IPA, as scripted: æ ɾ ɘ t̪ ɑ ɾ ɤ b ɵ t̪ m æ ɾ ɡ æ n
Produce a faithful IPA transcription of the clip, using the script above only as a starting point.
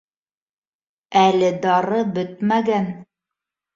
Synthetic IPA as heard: æ l ɘ d̪ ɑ ɾ ɤ b ɵ t̪ m æ ɡ æ n